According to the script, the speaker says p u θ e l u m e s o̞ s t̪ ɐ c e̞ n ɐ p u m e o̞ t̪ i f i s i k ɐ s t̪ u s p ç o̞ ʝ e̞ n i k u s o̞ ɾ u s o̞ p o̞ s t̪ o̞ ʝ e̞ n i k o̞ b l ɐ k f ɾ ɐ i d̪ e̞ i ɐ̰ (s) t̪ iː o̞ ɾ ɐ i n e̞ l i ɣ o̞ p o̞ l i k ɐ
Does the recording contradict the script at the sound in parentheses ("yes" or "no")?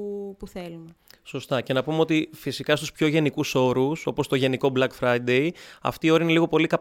yes